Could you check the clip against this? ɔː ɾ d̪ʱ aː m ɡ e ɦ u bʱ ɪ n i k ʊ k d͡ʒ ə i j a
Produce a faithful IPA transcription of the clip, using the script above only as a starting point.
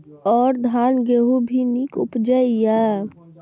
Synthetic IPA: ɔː ɾ d̪ʱ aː n ɡ e ɦ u bʱ i n i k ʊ p d͡ʒ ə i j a